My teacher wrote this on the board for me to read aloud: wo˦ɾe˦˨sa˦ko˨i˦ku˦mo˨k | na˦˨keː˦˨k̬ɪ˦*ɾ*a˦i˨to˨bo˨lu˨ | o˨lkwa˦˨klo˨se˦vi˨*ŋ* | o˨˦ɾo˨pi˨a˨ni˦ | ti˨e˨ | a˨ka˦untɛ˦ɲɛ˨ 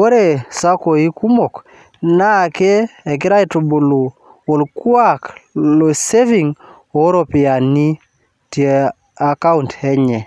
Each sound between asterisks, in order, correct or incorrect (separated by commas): correct, correct